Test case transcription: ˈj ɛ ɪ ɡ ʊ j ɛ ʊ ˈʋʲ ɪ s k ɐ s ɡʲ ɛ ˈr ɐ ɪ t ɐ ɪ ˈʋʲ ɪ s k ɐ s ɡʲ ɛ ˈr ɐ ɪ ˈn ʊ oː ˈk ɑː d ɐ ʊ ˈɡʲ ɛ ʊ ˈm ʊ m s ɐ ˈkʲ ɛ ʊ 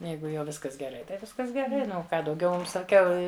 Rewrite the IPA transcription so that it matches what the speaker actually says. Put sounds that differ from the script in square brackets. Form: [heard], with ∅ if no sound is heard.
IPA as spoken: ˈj ɛ ɪ ɡ ʊ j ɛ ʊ ˈʋʲ ɪ s k ɐ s ɡʲ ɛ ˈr ɐ ɪ t ɐ ɪ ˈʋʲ ɪ s k ɐ s ɡʲ ɛ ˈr ɐ ɪ ˈn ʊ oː ˈk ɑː d ɐ ʊ ˈɡʲ ɛ ʊ ˈm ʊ m s ɐ ˈkʲ ɛ ʊ